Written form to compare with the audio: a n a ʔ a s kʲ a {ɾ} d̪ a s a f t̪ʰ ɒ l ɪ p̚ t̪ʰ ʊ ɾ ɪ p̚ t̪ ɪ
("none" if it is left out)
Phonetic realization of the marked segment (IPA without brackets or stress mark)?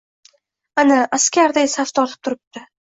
ɾ